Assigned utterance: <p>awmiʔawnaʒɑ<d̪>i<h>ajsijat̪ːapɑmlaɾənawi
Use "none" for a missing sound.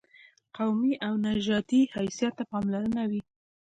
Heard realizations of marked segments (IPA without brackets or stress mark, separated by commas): q, t̪, h